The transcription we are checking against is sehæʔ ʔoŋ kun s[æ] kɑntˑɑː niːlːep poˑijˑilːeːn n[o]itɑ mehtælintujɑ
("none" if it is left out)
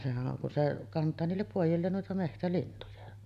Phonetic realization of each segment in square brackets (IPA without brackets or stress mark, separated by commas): e, u